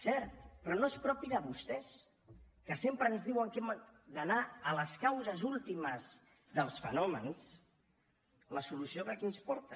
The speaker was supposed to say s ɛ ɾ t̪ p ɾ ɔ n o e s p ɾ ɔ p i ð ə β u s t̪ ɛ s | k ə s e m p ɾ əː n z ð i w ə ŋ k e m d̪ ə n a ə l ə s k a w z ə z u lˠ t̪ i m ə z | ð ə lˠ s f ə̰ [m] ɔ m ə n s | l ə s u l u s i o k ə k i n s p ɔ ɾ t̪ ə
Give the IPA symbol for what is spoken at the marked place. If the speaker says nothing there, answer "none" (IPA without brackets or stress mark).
n